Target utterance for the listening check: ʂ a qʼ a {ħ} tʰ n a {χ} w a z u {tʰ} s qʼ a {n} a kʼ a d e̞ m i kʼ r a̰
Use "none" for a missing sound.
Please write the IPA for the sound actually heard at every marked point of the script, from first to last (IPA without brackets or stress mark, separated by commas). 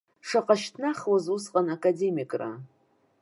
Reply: ʃ, χ, none, n